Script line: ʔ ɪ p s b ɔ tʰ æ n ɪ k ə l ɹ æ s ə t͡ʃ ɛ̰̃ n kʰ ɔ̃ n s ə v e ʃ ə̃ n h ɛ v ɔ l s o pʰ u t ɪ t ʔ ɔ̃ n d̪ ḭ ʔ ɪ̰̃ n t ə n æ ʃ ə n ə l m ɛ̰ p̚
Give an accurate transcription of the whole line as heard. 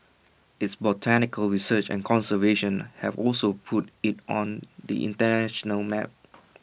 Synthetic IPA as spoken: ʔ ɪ t s b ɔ tʰ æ n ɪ k ə l ɹ i s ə t͡ʃ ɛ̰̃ n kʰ ɔ̃ n s ə v e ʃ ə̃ n h ɛ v ɔ l s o pʰ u t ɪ t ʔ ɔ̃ n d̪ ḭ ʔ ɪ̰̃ n t ə n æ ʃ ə n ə l m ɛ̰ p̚